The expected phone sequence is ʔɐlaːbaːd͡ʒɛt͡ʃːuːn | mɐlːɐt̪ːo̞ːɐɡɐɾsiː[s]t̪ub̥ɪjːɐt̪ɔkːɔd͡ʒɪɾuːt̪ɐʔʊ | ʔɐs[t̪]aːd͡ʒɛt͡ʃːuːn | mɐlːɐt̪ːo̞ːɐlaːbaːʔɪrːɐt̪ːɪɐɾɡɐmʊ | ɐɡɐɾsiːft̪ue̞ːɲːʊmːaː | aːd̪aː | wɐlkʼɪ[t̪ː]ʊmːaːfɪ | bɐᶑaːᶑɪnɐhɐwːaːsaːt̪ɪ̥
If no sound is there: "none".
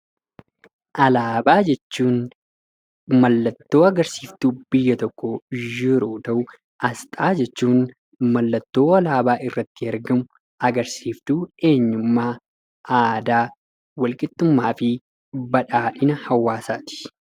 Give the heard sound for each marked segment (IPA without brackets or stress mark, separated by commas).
f, t̪ʼ, t̪ː